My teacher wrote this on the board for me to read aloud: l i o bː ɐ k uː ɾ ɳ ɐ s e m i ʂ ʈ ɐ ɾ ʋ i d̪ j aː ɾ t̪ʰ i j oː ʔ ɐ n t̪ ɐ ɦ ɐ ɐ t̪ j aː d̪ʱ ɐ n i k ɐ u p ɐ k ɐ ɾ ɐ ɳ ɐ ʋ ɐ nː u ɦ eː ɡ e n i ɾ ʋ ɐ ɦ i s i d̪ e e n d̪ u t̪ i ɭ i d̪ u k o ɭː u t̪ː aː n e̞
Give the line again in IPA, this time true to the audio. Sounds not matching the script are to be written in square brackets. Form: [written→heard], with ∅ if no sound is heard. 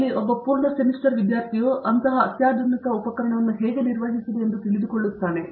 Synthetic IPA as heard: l i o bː ɐ [k→p] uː ɾ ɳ ɐ s e m i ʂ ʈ ɐ ɾ ʋ i d̪ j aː ɾ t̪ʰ i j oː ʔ ɐ n t̪ ɐ ɦ ɐ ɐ t̪ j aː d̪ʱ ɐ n i k ɐ u p ɐ k ɐ ɾ ɐ ɳ ɐ ʋ ɐ nː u ɦ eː ɡ e n i ɾ ʋ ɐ ɦ i s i d̪ e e n d̪ u t̪ i ɭ i d̪ u k o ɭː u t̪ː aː n e̞